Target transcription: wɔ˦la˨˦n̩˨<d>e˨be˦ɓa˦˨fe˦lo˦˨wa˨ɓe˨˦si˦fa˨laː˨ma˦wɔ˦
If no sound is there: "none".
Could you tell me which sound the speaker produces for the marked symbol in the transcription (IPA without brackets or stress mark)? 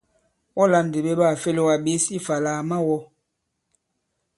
d